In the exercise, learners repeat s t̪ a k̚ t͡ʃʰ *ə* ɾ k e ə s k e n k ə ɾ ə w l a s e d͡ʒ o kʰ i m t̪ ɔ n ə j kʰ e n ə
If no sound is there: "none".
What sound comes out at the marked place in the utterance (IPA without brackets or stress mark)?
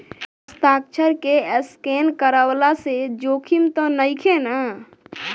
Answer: ə